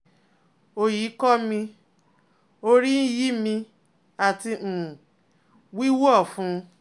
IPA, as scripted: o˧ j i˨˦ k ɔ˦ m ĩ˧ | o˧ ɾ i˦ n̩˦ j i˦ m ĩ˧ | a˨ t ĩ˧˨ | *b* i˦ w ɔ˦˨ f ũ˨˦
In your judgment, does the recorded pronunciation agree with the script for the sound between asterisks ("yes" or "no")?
no